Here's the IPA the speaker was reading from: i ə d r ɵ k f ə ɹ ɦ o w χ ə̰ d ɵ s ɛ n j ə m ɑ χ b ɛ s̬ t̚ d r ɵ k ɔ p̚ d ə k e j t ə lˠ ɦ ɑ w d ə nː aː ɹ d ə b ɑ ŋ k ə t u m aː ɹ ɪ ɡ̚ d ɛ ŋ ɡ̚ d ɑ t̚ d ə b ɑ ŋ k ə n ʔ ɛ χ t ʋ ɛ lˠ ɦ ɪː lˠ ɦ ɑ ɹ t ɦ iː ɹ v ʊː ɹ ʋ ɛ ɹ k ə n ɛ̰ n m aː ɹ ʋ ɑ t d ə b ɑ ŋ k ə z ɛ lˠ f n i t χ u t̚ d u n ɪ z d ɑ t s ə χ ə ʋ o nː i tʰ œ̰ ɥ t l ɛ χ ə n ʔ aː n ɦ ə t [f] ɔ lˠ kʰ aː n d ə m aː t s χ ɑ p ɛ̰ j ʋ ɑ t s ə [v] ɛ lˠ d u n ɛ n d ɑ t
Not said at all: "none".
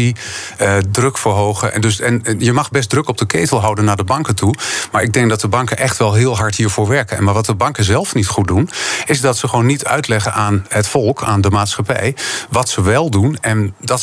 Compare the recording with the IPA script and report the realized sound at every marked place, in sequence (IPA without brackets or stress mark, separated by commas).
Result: f, ʋ